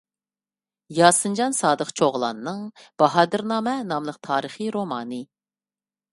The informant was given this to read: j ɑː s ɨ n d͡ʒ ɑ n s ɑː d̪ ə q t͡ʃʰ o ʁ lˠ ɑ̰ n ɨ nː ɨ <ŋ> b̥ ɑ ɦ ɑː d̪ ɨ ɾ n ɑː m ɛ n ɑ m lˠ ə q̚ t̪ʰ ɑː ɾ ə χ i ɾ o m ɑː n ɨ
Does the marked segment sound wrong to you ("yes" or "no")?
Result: no